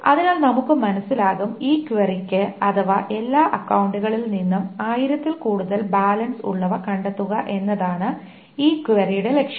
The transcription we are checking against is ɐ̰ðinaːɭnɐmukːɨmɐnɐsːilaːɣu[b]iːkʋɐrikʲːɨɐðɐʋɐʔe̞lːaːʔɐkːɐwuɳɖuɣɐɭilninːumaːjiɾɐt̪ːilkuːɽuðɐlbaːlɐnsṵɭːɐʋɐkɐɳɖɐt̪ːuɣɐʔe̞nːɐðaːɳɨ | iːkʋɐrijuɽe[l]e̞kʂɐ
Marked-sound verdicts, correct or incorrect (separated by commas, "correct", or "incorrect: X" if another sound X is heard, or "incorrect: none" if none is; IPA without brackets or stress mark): incorrect: m, correct